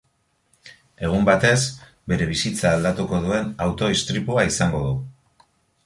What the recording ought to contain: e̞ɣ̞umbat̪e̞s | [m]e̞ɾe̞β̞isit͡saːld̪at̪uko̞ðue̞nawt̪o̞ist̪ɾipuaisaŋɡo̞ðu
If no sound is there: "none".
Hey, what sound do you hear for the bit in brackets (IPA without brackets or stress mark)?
b